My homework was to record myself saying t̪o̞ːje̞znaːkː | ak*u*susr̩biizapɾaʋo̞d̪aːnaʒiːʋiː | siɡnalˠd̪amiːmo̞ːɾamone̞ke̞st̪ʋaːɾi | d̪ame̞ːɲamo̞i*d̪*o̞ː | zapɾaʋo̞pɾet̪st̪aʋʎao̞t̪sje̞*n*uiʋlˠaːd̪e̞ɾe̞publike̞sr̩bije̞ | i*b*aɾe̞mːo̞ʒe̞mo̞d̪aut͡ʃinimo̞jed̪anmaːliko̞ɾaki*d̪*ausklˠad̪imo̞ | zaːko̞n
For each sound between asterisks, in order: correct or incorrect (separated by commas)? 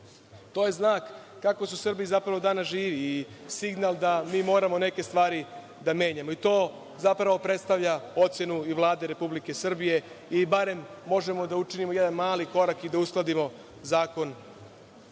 incorrect, incorrect, correct, correct, correct